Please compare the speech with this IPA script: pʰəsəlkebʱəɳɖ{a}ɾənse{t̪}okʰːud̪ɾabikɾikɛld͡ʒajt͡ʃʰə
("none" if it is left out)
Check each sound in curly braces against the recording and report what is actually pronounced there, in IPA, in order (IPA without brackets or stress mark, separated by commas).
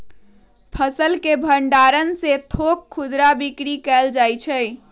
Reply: a, t̪ʰ